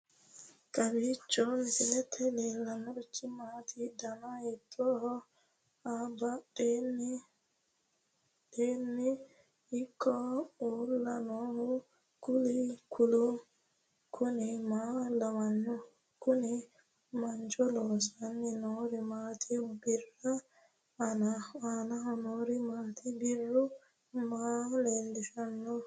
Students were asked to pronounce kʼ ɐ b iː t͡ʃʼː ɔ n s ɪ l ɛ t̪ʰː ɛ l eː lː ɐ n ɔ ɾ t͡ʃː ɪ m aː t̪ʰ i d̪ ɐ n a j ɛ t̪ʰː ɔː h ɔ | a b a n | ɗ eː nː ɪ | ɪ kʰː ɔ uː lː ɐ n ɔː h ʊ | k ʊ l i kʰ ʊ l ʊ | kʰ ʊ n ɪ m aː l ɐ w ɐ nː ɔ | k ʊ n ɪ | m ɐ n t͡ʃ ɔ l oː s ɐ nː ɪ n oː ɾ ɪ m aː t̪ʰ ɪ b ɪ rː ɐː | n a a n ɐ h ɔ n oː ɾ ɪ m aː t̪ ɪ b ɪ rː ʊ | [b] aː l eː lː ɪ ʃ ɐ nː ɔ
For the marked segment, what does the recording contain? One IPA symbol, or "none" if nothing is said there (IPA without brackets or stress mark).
m